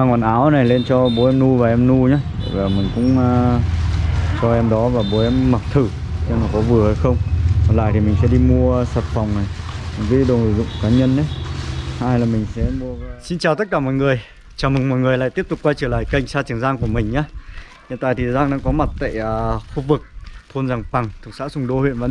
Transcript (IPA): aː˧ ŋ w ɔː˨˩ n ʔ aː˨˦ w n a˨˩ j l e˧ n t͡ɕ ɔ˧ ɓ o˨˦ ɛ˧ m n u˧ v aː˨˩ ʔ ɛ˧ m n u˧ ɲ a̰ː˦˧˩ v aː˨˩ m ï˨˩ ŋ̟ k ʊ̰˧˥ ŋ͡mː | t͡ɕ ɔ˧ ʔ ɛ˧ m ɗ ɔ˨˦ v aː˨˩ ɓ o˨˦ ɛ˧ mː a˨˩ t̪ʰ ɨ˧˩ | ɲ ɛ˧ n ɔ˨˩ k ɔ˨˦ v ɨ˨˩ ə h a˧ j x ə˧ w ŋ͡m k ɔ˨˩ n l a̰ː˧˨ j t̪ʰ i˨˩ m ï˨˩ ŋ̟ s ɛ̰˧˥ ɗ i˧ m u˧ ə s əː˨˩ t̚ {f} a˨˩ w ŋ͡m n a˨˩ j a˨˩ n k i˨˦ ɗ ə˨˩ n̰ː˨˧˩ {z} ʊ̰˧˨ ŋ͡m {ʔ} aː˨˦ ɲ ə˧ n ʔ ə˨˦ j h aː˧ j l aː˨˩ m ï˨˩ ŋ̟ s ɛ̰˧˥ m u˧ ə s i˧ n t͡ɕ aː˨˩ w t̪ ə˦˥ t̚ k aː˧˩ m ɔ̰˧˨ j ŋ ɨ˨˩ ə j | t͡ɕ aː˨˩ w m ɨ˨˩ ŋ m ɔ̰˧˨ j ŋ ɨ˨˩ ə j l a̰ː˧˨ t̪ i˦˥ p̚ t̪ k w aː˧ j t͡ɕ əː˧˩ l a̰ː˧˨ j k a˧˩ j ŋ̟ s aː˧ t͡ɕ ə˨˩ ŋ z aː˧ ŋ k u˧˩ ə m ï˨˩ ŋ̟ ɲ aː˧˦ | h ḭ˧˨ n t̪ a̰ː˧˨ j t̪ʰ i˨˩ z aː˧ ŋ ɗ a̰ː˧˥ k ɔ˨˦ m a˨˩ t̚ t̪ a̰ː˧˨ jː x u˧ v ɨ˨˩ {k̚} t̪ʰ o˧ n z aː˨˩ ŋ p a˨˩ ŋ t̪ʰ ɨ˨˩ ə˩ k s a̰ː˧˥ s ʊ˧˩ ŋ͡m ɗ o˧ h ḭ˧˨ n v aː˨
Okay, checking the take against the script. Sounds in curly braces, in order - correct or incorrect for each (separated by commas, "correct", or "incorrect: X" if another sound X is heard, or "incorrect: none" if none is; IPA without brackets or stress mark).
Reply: correct, correct, incorrect: k, correct